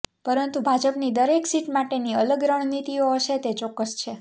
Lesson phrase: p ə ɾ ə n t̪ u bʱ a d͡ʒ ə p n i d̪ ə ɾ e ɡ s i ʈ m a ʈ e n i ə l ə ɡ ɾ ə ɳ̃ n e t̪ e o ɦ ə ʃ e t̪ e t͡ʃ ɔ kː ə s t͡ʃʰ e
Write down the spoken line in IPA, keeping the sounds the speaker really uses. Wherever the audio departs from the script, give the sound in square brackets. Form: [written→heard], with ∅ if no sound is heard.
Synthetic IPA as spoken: p ə ɾ ə n t̪ u bʱ a d͡ʒ ə p n i d̪ ə ɾ e [ɡ→k] s i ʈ m a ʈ e n i ə l ə ɡ ɾ ə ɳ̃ n [e→i] t̪ [e→i] o ɦ ə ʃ e t̪ e t͡ʃ ɔ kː ə s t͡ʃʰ e